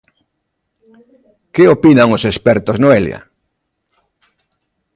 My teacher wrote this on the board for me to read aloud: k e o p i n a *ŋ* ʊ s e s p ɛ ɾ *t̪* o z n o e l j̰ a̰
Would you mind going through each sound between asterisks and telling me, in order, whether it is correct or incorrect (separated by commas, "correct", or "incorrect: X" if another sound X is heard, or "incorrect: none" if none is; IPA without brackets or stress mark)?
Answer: correct, correct